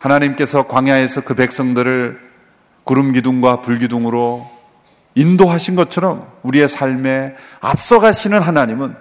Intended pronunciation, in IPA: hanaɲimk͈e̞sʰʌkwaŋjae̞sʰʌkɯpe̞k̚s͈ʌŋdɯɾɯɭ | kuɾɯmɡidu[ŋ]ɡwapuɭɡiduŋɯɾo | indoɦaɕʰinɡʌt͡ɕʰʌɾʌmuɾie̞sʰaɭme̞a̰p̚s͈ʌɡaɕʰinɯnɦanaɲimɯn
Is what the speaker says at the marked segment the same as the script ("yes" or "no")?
yes